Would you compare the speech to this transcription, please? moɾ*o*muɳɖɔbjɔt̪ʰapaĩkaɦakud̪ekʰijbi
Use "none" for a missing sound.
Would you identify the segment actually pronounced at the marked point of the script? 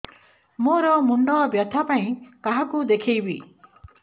ɔ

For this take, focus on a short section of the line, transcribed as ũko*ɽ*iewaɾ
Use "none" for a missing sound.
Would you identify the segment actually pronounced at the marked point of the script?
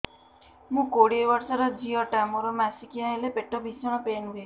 ɽ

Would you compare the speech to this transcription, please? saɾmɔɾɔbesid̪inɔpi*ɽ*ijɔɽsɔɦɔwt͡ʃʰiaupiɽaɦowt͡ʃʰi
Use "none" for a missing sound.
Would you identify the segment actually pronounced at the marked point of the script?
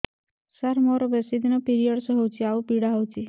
ɾ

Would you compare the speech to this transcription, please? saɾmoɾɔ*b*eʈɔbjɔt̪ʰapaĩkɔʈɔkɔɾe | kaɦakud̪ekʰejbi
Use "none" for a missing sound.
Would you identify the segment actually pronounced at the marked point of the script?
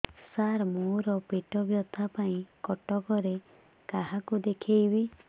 p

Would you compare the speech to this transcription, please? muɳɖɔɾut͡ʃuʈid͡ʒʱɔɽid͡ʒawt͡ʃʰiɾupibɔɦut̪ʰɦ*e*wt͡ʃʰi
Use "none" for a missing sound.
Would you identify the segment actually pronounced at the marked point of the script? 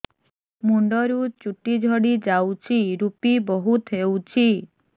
e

